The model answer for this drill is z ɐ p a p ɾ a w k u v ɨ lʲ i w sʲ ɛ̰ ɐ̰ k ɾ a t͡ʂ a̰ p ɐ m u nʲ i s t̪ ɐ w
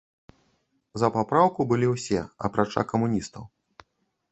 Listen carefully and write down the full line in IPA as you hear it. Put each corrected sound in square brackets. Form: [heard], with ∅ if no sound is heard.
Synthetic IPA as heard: z ɐ p a p ɾ a w k u [b] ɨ lʲ i w sʲ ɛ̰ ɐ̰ [p] ɾ a t͡ʂ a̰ [k] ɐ m u nʲ i s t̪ ɐ w